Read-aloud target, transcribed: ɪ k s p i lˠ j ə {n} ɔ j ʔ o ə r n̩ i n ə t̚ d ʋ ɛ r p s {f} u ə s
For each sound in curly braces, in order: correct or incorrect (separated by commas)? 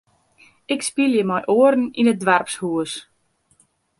incorrect, incorrect